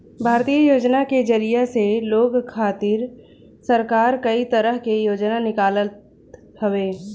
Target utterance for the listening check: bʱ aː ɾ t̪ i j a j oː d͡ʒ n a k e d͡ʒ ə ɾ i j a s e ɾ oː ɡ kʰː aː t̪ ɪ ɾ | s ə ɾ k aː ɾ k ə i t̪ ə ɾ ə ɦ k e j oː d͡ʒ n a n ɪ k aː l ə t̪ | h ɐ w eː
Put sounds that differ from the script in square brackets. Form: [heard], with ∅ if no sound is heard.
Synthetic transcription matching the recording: bʱ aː ɾ t̪ i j [ə] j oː d͡ʒ n a k e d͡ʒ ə ɾ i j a s e [l] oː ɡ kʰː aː t̪ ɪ ɾ | s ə ɾ k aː ɾ k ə i t̪ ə ɾ ə ɦ k e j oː d͡ʒ n a n ɪ k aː l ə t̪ | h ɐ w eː

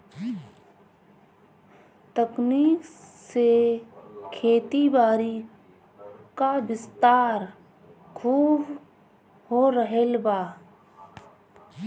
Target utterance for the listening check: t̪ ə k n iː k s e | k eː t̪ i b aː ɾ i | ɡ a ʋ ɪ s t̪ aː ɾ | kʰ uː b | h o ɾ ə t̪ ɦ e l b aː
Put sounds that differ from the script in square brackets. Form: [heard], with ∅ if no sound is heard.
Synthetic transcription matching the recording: t̪ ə k n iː k s e | [kʰ] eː t̪ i b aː ɾ i | [k] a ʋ ɪ s t̪ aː ɾ | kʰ uː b | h o ɾ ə [∅] ɦ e l b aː

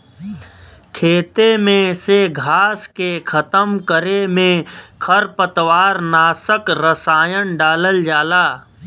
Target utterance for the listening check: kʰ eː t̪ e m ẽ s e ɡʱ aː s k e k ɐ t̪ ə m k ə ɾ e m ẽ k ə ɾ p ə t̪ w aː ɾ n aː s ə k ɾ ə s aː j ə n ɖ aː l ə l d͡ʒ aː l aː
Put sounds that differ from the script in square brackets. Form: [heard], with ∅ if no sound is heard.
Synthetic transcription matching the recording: kʰ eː t̪ e m ẽ s e ɡʱ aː s k e [kʰ] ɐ t̪ ə m k ə ɾ e m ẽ [kʰ] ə ɾ p ə t̪ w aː ɾ n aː s ə k ɾ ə s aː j ə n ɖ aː l ə l d͡ʒ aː l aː

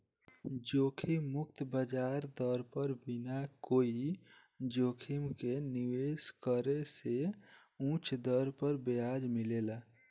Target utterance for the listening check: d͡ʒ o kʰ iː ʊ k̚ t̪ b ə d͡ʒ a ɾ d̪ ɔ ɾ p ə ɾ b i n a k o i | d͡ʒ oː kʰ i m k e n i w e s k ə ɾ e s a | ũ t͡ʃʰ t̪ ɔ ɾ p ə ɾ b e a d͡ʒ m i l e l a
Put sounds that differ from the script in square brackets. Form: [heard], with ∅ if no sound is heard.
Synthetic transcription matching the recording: d͡ʒ o kʰ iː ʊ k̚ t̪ b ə d͡ʒ a ɾ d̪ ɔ ɾ p ə ɾ b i n a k o i | d͡ʒ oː kʰ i m k e n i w e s k ə ɾ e s [e] | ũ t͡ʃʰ [d̪] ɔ ɾ p ə ɾ b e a d͡ʒ m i l e l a

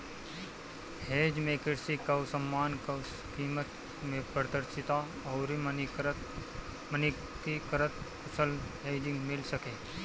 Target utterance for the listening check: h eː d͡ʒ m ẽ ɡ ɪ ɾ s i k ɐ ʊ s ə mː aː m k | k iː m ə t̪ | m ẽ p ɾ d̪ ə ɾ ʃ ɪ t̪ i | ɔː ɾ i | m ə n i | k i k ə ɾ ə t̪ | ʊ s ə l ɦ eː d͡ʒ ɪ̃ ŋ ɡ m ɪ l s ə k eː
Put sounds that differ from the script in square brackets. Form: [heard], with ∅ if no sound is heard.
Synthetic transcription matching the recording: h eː d͡ʒ m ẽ [k] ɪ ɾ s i k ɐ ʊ s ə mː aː [n] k | k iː m ə t̪ | m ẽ p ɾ d̪ ə ɾ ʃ ɪ t̪ [a] | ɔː ɾ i | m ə n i | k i k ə ɾ ə t̪ | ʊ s ə l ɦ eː d͡ʒ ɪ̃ ŋ ɡ m ɪ l s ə k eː

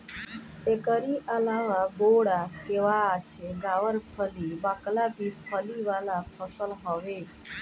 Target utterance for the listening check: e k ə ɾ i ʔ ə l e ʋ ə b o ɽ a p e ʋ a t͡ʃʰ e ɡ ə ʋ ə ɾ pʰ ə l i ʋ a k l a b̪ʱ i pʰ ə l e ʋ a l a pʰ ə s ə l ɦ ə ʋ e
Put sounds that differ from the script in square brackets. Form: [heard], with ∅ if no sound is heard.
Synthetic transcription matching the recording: e k ə ɾ i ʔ ə l [a] ʋ [a] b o ɽ a [k] e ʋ a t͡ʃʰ e ɡ [a] ʋ ə ɾ pʰ ə l i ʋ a k l a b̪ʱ i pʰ ə l [i] ʋ a l a pʰ ə s ə l ɦ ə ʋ e

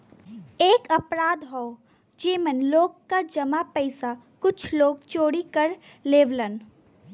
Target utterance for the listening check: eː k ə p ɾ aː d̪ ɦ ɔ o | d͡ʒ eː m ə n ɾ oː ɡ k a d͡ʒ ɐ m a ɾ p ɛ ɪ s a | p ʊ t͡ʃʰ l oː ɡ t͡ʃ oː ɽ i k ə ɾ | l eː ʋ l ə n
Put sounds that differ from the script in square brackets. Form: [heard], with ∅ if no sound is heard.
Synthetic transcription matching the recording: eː k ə p ɾ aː d̪ ɦ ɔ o | d͡ʒ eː m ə n [l] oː ɡ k a d͡ʒ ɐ m a [∅] p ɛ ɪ s a | [k] ʊ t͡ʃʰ l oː ɡ t͡ʃ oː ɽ i k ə ɾ | l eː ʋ l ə n

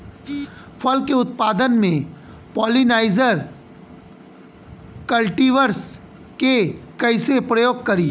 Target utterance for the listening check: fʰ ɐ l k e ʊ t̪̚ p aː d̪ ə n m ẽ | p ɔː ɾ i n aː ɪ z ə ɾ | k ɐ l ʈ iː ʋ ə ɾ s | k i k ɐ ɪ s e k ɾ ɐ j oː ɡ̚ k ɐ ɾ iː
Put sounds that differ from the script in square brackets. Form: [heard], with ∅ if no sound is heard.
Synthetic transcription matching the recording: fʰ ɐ l k e ʊ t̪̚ p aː d̪ ə n m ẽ | p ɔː [l] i n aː ɪ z ə ɾ | k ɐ l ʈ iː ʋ ə ɾ s | k [e] k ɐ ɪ s e [p] ɾ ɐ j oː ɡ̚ k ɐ ɾ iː

